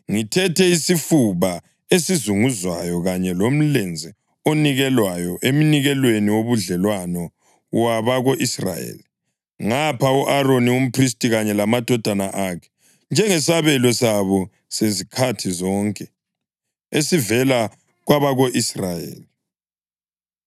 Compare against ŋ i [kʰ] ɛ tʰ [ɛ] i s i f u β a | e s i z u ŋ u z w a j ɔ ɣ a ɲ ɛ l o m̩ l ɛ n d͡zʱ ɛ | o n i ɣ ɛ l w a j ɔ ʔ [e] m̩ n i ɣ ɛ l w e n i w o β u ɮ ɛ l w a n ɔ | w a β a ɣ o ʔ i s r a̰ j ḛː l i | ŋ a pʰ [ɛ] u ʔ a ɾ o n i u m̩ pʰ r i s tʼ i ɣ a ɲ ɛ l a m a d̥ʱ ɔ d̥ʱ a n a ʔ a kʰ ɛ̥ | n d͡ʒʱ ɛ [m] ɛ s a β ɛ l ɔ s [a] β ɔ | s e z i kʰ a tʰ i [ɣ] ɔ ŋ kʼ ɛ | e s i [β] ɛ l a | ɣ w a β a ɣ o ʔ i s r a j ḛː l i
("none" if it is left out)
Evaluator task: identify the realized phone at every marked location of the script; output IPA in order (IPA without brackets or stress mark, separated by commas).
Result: tʰ, ɛ, e, a, ŋ, a, z, v